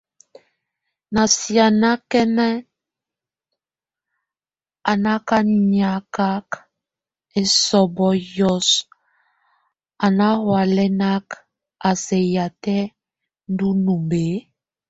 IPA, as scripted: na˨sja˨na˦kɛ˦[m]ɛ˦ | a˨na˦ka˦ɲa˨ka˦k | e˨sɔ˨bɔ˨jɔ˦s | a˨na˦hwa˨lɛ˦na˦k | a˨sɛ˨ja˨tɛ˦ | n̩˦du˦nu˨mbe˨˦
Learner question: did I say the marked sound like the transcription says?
no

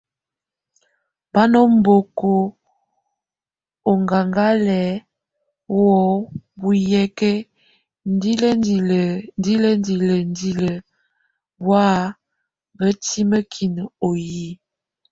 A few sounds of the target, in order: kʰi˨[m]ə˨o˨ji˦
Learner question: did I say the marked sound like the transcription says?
no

